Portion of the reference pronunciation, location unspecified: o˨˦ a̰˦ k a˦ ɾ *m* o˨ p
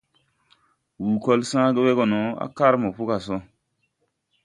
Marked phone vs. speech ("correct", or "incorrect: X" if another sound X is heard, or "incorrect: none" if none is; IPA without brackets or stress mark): correct